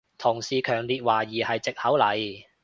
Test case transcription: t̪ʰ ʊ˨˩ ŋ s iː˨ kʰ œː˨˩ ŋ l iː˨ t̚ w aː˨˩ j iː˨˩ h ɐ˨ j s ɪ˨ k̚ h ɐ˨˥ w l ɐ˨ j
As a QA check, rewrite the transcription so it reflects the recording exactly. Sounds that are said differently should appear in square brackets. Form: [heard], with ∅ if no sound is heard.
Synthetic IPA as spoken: t̪ʰ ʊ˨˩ ŋ s iː˨ kʰ œː˨˩ ŋ l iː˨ t̚ w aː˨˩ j iː˨˩ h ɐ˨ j [t͡s] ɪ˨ k̚ h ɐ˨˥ w l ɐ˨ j